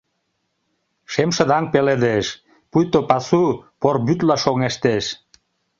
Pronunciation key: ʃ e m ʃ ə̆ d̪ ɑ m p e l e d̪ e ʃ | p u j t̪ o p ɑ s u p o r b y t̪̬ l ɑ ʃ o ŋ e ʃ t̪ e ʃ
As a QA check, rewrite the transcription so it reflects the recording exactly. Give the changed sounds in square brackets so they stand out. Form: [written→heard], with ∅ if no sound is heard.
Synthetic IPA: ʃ e m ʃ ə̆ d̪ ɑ [m→ŋ] p e l e d̪ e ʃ | p u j t̪ o p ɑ s u p o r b y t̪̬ l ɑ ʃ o ŋ e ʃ t̪ e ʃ